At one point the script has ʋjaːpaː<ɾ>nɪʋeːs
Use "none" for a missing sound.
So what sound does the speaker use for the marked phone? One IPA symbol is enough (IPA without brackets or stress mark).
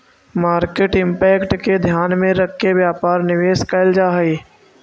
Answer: ɾ